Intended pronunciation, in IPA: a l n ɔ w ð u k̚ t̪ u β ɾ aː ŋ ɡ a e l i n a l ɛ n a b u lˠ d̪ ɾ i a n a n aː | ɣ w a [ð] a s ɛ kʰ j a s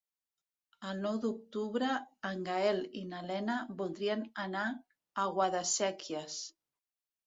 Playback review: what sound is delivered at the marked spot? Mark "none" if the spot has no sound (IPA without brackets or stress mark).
ð